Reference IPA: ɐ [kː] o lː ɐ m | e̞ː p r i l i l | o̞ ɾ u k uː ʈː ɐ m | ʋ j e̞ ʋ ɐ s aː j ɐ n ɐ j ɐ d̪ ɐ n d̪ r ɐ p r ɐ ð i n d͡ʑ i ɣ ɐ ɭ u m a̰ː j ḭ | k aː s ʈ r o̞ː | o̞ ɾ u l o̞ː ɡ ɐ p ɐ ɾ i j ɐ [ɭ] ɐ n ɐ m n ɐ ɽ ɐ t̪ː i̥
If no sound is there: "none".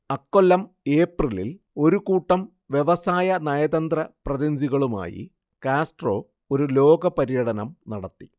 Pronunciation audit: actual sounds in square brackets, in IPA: kː, ɽ

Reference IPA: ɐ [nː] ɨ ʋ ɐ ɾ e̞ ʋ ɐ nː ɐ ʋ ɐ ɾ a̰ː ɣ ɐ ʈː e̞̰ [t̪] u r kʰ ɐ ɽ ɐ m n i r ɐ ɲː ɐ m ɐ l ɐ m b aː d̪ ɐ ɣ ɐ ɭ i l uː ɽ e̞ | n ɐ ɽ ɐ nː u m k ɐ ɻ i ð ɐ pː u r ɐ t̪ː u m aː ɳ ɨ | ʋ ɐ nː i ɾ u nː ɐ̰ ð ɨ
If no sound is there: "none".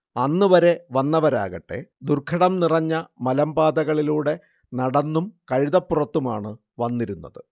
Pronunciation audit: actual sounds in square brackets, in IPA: nː, d̪

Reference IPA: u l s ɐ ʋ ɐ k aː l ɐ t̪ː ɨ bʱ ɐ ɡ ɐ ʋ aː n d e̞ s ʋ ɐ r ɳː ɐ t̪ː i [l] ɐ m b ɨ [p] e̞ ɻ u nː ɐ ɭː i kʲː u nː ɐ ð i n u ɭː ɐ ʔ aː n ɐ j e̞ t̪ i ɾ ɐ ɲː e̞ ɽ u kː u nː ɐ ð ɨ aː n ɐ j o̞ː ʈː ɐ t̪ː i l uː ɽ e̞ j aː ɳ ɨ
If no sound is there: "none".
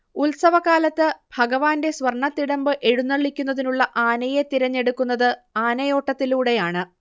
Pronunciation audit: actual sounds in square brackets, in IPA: ɽ, ʔ

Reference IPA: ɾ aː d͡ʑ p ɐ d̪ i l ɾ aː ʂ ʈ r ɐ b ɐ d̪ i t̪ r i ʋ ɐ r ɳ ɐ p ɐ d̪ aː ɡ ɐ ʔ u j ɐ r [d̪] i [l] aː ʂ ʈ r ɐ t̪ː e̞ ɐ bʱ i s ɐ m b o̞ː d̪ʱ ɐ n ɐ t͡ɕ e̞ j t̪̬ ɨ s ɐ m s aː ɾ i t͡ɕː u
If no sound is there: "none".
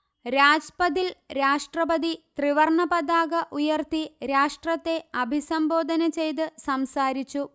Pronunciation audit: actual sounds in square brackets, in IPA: t̪, ɾ

